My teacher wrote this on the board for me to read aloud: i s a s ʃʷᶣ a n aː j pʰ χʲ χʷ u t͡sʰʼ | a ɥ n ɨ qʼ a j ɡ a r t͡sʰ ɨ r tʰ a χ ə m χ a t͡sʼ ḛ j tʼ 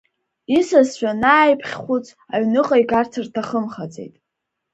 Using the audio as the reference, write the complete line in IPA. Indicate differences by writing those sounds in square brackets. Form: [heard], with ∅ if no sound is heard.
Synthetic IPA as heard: i s a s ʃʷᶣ a n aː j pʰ χʲ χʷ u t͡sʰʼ | a ɥ n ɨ qʼ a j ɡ a r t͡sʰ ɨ r tʰ a χ ə m χ a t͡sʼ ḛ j tʼ

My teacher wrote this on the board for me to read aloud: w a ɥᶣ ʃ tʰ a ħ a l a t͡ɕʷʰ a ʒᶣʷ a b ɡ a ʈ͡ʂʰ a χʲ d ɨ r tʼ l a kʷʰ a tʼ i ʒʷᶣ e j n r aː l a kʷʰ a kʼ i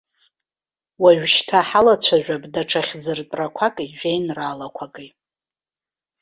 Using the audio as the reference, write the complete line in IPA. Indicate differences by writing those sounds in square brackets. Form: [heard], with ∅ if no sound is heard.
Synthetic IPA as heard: w a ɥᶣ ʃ tʰ a ħ a l a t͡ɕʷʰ a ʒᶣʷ a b [d] a ʈ͡ʂʰ a χʲ [d͡z] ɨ r tʼ [r] a kʷʰ a [kʼ] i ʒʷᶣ e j n r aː l a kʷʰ a kʼ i

